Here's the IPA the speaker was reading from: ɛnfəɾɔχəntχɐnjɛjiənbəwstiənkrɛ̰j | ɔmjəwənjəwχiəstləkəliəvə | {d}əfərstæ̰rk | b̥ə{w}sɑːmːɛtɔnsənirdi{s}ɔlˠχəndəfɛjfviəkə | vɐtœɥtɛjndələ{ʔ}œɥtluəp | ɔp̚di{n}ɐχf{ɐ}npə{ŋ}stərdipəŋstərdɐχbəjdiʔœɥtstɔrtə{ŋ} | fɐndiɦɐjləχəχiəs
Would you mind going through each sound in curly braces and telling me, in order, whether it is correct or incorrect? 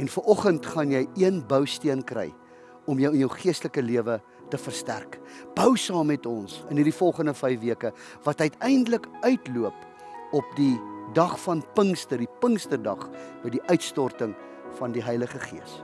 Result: incorrect: t, correct, incorrect: f, incorrect: k, incorrect: d, correct, correct, correct

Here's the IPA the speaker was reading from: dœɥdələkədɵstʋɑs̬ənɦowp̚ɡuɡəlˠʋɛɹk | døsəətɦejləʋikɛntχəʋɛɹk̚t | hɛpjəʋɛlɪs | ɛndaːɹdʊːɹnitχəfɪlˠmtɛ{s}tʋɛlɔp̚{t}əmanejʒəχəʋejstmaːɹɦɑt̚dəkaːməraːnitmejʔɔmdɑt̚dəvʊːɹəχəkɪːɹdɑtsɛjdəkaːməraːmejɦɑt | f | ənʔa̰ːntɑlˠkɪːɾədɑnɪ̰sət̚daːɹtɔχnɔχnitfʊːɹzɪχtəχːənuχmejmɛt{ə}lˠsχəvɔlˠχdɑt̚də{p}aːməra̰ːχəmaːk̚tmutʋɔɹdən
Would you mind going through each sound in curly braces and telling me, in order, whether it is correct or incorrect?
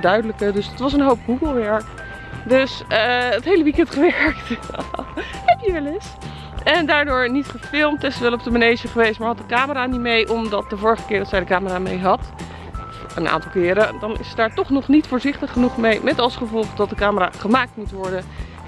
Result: correct, incorrect: d, incorrect: ɑ, incorrect: k

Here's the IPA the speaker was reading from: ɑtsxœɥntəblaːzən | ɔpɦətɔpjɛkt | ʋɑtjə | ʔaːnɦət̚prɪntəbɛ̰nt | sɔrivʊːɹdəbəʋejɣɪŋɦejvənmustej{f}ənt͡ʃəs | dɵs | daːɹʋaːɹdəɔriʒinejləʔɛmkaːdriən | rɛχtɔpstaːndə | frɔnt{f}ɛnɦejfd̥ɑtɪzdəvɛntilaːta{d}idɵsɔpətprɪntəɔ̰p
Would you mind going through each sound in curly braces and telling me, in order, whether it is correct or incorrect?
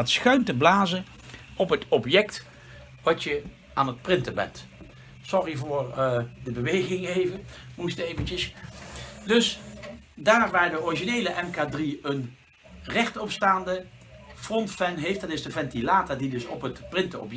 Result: incorrect: v, correct, correct

